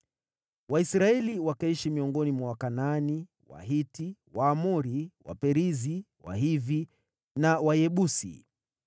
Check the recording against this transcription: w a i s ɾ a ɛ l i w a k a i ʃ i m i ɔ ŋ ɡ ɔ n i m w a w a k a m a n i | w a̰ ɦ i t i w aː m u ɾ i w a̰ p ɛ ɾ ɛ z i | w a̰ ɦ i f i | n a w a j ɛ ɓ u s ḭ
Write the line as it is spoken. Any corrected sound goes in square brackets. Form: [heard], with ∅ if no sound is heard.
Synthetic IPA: w a i s ɾ a ɛ l i w a k a i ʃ i m i ɔ ŋ ɡ ɔ n i m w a w a k a [n] a n i | w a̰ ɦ i t i w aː m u ɾ i w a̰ p ɛ ɾ [i] z i | w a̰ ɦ i [v] i | n a w a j ɛ ɓ u s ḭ